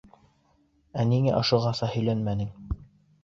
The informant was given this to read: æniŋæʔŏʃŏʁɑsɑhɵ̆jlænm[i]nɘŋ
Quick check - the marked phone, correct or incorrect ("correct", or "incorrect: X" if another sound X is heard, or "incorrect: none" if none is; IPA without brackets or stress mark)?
incorrect: æ